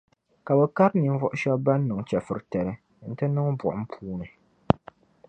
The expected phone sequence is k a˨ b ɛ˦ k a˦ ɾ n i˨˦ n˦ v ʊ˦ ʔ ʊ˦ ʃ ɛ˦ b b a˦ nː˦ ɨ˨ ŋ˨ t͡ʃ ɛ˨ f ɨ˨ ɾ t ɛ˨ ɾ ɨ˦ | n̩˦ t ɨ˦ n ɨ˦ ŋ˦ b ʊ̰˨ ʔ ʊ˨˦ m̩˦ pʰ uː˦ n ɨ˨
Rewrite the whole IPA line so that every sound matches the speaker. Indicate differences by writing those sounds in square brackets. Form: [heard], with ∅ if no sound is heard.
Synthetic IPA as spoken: k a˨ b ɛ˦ k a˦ ɾ n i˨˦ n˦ v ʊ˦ ʔ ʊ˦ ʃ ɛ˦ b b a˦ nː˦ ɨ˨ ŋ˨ t͡ʃ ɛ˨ f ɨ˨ ɾ t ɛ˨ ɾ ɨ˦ | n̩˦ t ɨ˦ n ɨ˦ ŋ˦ b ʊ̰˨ ʔ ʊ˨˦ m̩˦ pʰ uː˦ n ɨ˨